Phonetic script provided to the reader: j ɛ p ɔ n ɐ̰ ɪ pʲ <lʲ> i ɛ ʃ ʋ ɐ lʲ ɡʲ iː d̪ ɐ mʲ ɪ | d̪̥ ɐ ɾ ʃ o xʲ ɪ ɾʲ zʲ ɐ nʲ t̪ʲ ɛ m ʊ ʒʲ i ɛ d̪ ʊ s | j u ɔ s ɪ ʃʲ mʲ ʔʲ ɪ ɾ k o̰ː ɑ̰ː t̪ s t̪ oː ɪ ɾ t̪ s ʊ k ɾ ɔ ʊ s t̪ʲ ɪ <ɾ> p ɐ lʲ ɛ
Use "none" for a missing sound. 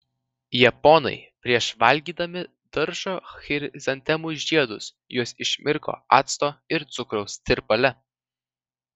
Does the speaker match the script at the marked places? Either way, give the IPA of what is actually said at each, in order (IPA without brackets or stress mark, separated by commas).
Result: ɾʲ, ɾ